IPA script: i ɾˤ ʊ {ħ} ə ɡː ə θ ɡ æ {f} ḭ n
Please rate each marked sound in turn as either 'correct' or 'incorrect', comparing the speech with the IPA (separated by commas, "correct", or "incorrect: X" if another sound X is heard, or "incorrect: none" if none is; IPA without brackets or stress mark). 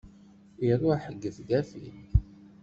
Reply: correct, correct